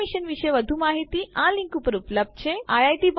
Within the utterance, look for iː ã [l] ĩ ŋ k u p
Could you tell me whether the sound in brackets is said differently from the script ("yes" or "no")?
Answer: no